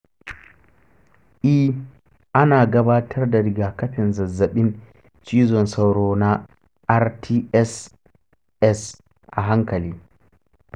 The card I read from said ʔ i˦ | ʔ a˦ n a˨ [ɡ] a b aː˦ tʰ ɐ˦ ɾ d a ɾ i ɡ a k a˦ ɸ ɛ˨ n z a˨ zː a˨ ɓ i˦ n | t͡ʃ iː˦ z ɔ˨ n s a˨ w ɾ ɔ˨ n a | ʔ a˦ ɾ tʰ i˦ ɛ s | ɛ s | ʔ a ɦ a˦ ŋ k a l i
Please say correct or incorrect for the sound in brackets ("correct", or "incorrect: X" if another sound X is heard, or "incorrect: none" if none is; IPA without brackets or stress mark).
correct